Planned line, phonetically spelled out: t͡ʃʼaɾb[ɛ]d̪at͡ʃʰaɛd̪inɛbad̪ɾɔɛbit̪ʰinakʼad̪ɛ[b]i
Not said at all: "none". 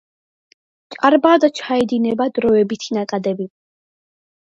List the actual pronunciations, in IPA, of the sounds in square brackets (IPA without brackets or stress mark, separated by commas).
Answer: a, b